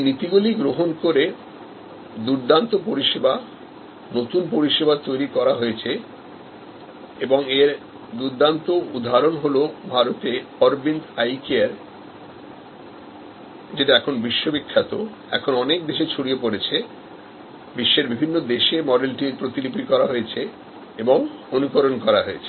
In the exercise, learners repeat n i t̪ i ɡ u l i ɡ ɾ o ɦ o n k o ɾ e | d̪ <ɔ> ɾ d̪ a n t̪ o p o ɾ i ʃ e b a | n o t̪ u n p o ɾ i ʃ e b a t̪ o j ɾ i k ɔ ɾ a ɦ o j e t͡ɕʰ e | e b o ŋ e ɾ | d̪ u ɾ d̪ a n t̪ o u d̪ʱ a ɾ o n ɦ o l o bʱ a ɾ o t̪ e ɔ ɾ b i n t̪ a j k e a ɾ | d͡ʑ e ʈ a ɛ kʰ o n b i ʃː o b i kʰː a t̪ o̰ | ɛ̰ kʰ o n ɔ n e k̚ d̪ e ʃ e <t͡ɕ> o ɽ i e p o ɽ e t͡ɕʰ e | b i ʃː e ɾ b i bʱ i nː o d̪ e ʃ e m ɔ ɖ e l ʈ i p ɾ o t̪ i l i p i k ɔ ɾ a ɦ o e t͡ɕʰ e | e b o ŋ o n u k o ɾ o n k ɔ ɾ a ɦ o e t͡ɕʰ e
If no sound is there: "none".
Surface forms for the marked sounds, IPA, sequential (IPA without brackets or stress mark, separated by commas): u, t͡ɕʰ